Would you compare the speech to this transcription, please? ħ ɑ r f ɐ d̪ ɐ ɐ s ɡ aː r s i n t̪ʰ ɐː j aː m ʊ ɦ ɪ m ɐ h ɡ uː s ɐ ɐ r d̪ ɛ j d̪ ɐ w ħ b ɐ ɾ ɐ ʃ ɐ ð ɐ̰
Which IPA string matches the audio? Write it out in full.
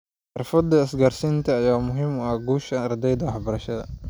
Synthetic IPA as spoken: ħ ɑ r f ɐ d̪ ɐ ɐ s ɡ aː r s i n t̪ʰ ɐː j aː m ʊ ɦ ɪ m ɐ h ɡ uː ʃ ɐ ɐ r d̪ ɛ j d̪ ɐ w ħ b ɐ ɾ ɐ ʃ ɐ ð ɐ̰